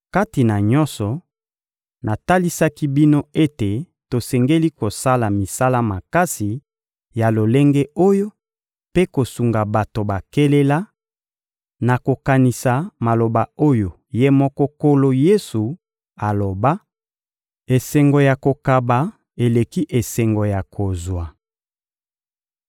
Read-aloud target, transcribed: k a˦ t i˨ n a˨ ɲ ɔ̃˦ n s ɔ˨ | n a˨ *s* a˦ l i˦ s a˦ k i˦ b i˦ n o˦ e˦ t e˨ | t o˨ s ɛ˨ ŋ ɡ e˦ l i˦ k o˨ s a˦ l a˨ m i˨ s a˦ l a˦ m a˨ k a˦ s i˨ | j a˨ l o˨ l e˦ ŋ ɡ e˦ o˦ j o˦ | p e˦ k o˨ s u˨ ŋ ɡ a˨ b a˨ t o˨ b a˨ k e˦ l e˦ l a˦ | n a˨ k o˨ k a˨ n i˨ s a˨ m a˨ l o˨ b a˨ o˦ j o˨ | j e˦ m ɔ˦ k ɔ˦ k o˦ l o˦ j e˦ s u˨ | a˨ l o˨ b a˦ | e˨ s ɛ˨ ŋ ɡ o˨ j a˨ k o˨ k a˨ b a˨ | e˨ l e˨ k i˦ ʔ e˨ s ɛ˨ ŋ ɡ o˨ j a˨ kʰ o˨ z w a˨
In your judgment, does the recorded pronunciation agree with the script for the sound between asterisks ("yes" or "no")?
no